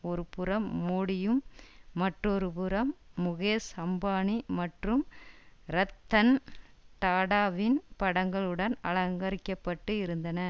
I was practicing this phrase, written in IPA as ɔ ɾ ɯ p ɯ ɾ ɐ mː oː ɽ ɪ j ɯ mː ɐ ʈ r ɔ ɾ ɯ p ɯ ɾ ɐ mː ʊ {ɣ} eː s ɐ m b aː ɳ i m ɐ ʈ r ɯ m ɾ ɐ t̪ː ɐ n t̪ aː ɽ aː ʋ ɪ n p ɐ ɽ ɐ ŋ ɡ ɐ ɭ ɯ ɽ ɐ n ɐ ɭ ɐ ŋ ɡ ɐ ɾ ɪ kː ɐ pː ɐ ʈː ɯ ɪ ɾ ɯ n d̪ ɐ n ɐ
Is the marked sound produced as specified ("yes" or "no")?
yes